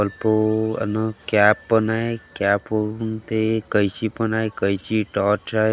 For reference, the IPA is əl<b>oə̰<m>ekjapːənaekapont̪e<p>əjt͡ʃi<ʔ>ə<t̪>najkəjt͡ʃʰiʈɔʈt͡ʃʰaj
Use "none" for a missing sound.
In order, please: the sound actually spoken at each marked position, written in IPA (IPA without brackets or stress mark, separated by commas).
p, n, k, p, none